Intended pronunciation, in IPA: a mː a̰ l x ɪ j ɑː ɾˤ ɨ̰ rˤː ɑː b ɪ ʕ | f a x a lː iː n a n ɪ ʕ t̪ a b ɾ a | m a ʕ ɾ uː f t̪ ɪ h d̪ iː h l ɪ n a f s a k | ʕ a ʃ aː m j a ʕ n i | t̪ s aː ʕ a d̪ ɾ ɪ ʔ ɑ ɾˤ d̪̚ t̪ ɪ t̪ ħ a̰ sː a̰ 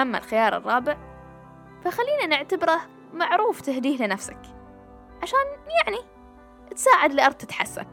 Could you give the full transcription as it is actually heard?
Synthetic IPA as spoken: a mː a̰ l x ɪ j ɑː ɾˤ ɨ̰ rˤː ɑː b ɪ ʕ | f a x a lː iː n a n ɪ ʕ t̪ a b ɾ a | m a ʕ ɾ uː f t̪ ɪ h d̪ iː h l ɪ n a f s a k | ʕ a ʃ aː n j a ʕ n i | t̪ s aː ʕ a d̪ l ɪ ʔ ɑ ɾˤ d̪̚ t̪ ɪ t̪ ħ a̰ sː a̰